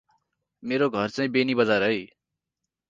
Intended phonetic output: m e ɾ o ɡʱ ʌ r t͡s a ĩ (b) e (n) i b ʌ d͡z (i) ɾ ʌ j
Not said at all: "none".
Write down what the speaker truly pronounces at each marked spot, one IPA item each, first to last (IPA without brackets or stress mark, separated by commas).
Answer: b, n, a